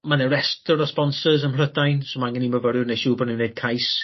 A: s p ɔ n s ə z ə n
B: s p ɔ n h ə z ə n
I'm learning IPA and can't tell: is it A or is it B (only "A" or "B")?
A